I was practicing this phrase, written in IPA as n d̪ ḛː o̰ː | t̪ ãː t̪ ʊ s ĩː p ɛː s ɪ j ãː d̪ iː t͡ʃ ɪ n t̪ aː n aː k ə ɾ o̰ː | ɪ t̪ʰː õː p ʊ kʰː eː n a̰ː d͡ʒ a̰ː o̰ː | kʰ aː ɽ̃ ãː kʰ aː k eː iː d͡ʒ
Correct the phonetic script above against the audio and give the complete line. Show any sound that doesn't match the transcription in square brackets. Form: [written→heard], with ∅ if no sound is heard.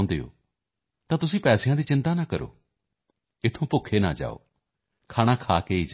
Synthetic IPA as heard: n d̪ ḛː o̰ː | t̪ ãː t̪ ʊ s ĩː p ɛː s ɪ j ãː d̪ iː t͡ʃ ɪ n t̪ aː n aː k ə ɾ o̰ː | ɪ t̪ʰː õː p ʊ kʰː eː n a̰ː d͡ʒ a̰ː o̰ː | kʰ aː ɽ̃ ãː kʰ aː k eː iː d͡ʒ